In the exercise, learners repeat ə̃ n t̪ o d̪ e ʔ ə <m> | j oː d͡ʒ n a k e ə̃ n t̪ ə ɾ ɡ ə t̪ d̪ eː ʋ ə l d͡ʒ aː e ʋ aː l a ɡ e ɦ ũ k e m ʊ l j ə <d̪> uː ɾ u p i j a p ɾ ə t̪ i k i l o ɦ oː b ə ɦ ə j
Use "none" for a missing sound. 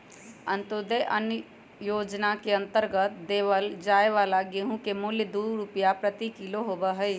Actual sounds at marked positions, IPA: n, d̪

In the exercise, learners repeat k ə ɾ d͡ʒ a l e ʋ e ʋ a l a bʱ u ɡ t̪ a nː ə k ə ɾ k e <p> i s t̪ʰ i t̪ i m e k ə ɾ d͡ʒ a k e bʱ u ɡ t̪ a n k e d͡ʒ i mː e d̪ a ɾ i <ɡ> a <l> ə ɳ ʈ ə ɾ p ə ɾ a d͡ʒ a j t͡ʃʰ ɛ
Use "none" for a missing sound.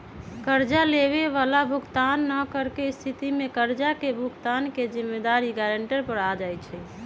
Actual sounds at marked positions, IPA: none, ɡ, ɾ

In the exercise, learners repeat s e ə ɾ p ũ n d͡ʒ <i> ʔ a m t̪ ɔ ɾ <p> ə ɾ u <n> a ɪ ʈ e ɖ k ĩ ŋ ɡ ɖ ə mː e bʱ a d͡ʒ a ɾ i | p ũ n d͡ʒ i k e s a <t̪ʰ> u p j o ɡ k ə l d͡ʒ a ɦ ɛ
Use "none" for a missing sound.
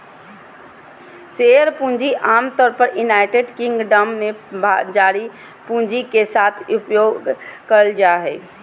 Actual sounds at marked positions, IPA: i, p, n, t̪ʰ

